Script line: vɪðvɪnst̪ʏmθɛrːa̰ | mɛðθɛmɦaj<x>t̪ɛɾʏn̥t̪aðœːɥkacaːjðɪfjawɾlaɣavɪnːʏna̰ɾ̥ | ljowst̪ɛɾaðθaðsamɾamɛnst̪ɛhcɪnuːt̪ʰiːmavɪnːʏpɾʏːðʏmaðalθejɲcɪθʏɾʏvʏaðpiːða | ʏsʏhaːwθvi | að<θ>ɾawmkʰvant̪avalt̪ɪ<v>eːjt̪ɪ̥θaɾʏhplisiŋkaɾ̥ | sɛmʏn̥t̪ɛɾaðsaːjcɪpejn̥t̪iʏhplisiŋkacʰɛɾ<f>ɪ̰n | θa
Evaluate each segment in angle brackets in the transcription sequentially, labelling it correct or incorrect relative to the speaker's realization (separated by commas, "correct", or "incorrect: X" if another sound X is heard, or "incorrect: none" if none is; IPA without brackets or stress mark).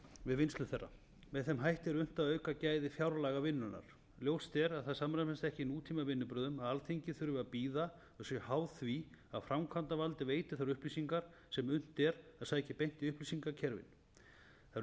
incorrect: h, incorrect: f, correct, incorrect: v